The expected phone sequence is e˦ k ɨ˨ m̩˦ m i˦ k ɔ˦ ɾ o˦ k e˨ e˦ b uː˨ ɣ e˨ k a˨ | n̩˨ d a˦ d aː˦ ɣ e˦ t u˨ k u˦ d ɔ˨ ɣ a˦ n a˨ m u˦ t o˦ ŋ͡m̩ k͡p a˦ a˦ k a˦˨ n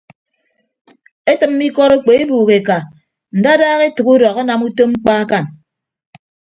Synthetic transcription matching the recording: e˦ t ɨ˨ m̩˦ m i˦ k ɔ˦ ɾ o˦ k͡p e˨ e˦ b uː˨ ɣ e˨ k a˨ | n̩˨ d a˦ d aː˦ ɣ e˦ t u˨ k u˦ d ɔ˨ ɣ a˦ n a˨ m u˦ t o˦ ŋ͡m̩ k͡p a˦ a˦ k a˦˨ n